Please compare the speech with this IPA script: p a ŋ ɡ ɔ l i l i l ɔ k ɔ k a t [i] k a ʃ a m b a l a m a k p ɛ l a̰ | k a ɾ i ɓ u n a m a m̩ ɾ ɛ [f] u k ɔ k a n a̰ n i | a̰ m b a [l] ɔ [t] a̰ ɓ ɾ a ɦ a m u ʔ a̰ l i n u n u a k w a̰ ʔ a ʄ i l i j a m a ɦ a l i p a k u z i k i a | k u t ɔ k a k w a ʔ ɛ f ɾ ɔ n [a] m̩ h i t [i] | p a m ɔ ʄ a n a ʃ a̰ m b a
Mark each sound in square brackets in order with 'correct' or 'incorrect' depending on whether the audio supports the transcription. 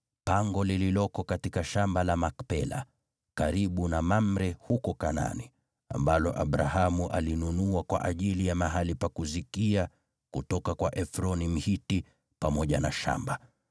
correct, incorrect, correct, incorrect, incorrect, correct

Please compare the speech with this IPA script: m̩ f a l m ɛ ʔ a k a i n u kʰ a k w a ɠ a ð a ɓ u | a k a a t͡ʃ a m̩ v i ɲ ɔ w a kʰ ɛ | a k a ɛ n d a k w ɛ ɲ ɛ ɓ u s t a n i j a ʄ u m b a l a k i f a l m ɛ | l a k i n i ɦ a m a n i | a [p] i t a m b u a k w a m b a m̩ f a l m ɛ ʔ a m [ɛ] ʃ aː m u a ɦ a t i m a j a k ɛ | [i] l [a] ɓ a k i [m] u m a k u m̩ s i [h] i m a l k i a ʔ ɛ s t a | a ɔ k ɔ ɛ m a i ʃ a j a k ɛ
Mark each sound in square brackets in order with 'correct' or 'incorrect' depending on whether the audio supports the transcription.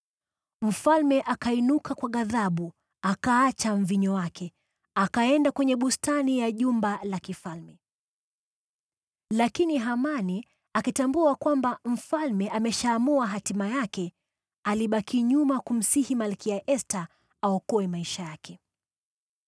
incorrect, correct, incorrect, incorrect, incorrect, correct

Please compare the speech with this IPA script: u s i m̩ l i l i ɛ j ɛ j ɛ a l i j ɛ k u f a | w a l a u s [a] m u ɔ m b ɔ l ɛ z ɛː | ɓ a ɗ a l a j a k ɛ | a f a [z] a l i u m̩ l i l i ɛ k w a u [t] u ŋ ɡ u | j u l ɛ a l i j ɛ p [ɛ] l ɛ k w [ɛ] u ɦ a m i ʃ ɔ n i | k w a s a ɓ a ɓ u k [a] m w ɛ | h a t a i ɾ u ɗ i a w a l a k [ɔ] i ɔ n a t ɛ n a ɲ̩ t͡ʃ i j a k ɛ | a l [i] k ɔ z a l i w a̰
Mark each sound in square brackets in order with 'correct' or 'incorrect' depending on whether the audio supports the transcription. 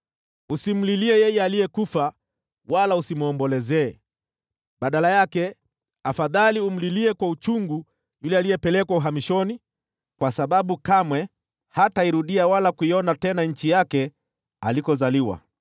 incorrect, incorrect, incorrect, correct, incorrect, correct, incorrect, correct

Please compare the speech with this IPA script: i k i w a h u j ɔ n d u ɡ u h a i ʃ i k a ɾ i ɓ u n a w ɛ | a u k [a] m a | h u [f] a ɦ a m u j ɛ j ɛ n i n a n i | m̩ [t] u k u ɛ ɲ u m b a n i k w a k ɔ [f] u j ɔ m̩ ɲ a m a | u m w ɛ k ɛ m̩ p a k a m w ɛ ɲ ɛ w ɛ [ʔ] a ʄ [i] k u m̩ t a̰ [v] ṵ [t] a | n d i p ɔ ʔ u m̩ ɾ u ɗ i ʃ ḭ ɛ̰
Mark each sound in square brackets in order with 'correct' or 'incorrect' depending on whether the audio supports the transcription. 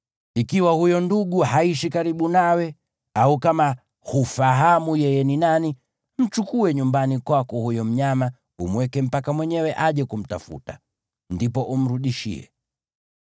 correct, correct, incorrect, incorrect, correct, incorrect, incorrect, correct

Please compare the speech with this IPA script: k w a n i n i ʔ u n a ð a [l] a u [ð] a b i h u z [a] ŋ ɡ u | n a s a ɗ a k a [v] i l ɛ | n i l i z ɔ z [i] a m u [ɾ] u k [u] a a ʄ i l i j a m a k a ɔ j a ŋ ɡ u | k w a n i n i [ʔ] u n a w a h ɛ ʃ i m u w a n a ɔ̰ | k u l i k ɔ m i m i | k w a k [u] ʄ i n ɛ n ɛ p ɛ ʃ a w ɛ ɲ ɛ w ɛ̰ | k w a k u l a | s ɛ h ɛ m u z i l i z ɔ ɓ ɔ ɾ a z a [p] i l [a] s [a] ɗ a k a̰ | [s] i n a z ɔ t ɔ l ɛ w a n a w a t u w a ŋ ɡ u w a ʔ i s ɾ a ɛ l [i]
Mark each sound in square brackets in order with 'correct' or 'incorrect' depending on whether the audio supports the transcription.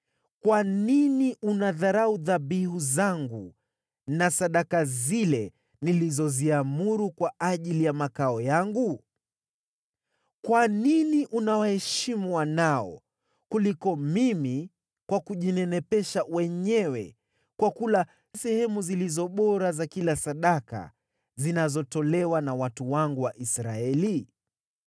incorrect, correct, correct, incorrect, correct, correct, incorrect, correct, correct, incorrect, correct, correct, incorrect, correct

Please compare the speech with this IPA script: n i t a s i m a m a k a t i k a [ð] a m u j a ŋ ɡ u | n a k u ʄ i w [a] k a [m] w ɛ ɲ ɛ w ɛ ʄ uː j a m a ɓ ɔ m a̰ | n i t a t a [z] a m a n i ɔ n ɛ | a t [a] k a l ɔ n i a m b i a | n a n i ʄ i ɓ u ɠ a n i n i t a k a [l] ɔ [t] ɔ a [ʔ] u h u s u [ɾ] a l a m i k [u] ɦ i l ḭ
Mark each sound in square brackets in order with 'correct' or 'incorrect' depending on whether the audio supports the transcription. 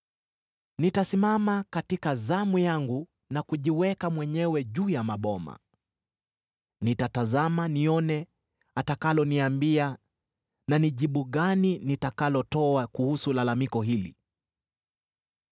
incorrect, incorrect, correct, correct, correct, correct, correct, incorrect, incorrect, incorrect

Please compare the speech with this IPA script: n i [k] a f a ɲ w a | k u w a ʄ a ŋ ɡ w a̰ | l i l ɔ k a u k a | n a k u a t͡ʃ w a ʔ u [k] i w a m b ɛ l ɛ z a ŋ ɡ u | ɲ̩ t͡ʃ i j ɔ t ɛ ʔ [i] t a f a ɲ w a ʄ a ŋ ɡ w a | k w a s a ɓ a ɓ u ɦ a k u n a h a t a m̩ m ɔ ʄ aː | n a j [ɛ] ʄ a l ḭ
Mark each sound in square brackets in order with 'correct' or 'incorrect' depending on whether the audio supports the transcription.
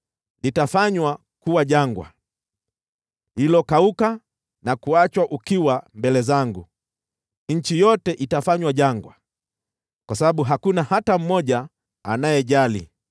incorrect, correct, correct, correct

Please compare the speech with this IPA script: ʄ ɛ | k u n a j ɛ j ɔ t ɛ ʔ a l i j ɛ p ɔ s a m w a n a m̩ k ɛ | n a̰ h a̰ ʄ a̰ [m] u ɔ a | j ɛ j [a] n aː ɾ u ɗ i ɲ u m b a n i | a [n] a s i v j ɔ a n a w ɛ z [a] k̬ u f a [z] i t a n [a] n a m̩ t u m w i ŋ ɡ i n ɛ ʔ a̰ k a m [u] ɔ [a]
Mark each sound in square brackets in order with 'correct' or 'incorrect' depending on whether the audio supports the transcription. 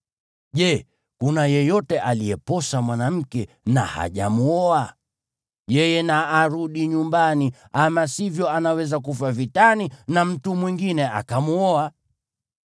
correct, incorrect, incorrect, correct, incorrect, incorrect, correct, correct

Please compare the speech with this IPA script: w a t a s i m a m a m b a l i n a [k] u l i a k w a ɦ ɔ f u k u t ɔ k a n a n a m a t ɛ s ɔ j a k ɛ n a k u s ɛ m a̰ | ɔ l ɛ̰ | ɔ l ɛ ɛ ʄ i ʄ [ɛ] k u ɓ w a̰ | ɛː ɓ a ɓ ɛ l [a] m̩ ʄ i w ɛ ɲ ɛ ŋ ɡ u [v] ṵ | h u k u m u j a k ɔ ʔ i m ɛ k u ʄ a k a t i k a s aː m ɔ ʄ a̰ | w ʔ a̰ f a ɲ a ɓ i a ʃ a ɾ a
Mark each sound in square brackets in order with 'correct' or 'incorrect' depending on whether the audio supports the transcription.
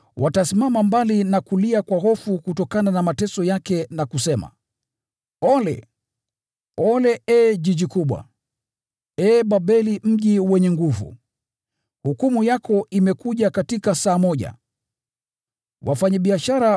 correct, incorrect, incorrect, correct

